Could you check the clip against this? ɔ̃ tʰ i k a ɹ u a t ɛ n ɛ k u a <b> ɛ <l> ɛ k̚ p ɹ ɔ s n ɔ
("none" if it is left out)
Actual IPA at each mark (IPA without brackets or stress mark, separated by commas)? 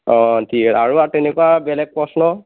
b, l